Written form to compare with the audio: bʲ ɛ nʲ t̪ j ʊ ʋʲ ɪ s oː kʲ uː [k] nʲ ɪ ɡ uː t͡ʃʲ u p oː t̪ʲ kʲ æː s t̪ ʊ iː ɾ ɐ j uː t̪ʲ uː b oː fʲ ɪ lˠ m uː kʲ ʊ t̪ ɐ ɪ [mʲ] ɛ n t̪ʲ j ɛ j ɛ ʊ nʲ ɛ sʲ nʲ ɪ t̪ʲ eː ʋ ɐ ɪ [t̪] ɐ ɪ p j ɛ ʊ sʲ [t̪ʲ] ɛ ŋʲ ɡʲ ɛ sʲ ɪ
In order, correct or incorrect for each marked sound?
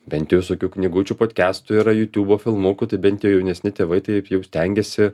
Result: correct, incorrect: bʲ, correct, correct

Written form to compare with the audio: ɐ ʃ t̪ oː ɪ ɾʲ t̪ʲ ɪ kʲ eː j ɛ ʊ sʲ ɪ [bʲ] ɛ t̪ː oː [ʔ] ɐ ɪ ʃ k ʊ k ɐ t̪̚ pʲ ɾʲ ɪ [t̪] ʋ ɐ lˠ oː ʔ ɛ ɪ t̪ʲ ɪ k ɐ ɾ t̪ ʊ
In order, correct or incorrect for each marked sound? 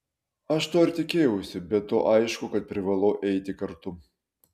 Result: correct, correct, incorrect: none

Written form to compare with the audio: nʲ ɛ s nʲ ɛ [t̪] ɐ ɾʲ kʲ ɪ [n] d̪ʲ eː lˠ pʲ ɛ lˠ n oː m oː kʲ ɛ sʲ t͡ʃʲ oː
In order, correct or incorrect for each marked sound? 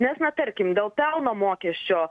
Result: correct, incorrect: m

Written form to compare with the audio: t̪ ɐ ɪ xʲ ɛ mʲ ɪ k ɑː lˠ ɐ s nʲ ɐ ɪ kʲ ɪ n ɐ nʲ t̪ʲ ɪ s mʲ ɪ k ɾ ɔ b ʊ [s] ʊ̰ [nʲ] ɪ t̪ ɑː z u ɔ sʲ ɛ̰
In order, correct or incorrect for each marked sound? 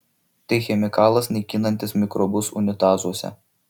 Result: correct, correct

